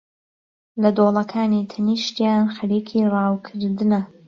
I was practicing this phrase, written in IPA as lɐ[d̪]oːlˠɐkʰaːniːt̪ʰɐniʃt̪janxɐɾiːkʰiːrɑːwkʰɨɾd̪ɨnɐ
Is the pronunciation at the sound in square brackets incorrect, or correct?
correct